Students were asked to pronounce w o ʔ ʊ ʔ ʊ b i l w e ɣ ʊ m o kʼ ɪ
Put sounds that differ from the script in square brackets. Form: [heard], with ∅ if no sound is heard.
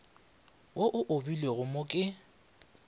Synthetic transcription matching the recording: w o ʔ ʊ ʔ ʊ b i l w e ɣ ʊ m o kʼ ɪ